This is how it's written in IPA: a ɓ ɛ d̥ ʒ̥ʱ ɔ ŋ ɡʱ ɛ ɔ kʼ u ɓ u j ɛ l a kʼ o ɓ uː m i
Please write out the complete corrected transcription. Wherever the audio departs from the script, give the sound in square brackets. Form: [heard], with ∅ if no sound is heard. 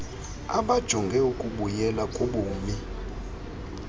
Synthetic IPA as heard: a ɓ [a] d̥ ʒ̥ʱ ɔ ŋ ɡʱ ɛ [u] kʼ u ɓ u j ɛ l a kʼ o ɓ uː m i

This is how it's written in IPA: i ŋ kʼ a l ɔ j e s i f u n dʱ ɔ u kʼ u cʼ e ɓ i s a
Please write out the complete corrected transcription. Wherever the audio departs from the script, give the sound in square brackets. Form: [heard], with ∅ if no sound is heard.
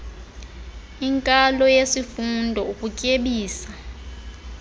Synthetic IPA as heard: i ŋ kʼ a l ɔ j e s i f u n dʱ ɔ u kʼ u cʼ e ɓ [iː] s a

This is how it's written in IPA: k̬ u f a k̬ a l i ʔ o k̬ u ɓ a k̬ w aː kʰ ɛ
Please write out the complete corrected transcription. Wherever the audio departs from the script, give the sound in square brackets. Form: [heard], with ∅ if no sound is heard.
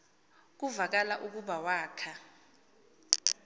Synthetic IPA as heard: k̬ u [v] a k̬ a l [a] ʔ [u] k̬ u ɓ a [∅] w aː kʰ [a]

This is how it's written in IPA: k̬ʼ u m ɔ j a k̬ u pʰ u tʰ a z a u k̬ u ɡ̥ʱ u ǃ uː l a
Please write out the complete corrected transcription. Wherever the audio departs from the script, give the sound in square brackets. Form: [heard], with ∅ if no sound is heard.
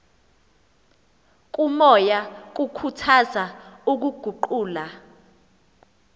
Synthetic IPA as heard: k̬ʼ u m ɔ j a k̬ u [kʰ] u tʰ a z a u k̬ u ɡ̥ʱ u ǃ uː l a

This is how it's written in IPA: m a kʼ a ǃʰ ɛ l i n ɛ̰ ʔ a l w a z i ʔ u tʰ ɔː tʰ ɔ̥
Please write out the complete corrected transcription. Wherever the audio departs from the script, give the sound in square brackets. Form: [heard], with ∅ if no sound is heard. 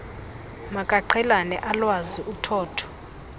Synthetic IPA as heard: m a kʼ a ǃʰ ɛ l [a] n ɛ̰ ʔ a l w a z i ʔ u tʰ ɔː tʰ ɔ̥

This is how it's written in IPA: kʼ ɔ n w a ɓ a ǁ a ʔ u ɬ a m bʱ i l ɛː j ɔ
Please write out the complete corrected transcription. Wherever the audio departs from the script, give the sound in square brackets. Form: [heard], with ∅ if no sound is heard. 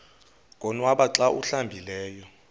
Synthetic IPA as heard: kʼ ɔ n w a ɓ a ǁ a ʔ u ɬ a m bʱ i l ɛː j ɔ

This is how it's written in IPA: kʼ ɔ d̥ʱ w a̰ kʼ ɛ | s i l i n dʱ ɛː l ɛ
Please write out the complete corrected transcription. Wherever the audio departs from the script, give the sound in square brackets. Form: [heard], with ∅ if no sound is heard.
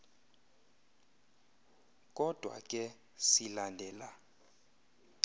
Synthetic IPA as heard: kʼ ɔ d̥ʱ w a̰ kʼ ɛ | s i l [a] n dʱ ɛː l [a]

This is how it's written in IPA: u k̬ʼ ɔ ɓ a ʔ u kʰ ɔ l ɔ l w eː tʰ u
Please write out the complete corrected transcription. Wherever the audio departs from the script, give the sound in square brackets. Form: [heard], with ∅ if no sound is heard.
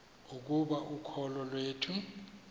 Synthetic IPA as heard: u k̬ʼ [u] ɓ a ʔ u kʰ ɔ l ɔ l w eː tʰ u

